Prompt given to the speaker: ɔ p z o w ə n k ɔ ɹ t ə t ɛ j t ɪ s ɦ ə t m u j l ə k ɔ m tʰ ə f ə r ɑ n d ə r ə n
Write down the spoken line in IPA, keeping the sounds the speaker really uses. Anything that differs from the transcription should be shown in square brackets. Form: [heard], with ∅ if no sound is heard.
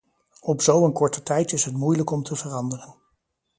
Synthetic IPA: ɔ p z o w ə n k ɔ ɹ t ə t ɛ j t ɪ s ɦ ə t m u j l ə k ɔ m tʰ ə [v] ə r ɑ n d ə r ə n